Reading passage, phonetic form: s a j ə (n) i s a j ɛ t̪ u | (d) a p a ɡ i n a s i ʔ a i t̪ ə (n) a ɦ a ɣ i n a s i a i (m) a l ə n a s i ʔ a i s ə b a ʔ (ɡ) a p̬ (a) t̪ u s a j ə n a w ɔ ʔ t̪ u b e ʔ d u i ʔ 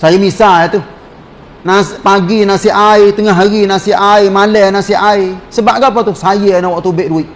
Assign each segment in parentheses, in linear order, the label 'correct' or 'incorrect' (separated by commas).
incorrect, incorrect, incorrect, correct, correct, correct